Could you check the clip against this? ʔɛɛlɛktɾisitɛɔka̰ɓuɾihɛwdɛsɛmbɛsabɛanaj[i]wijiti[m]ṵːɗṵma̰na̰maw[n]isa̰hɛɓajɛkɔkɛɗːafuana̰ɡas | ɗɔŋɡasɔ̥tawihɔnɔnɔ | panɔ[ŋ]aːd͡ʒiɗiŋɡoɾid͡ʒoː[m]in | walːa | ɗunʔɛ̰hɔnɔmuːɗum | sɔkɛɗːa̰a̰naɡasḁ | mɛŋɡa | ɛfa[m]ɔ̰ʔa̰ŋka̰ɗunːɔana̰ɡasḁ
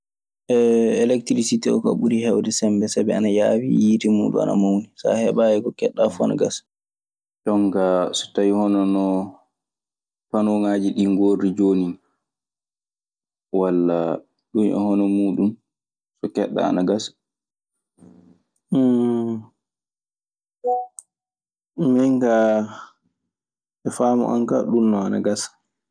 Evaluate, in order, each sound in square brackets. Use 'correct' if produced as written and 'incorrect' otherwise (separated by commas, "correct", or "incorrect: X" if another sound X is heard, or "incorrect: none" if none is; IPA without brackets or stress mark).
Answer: incorrect: a, correct, correct, correct, incorrect: n, correct